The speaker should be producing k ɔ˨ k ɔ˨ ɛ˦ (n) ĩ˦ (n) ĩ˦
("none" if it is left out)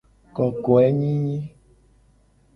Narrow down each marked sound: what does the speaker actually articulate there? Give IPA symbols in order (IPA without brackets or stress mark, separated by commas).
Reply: ɲ, ɲ